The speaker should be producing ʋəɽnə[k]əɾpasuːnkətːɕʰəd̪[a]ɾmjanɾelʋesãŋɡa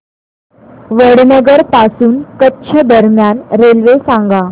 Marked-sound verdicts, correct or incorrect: incorrect, incorrect

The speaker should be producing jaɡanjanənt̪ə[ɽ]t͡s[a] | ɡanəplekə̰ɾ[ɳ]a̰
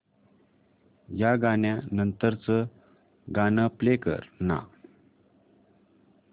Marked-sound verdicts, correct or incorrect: incorrect, incorrect, incorrect

